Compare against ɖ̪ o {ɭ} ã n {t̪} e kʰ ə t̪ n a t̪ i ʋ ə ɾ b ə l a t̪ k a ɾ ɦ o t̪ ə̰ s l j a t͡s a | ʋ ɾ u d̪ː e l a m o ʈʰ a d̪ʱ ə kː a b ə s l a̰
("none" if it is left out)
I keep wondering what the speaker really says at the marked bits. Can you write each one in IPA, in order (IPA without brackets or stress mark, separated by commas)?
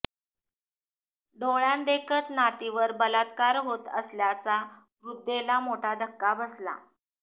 ɭ, d̪